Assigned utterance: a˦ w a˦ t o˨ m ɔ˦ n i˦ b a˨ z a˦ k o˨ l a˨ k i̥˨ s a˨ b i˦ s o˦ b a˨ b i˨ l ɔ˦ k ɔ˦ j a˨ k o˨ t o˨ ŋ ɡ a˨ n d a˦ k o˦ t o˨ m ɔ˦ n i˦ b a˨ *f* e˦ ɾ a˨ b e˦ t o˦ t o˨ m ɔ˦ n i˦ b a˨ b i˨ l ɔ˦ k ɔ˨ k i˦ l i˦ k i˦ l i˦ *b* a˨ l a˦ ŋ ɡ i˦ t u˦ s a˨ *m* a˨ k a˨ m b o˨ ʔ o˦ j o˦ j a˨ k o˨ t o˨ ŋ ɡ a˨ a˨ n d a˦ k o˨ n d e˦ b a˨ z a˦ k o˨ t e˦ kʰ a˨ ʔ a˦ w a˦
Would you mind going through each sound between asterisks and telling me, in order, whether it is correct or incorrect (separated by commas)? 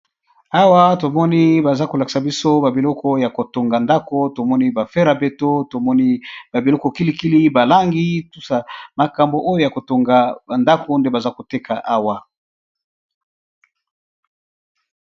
correct, correct, correct